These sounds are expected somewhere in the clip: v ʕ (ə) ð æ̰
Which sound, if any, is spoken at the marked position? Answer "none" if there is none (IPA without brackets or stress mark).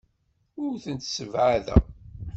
a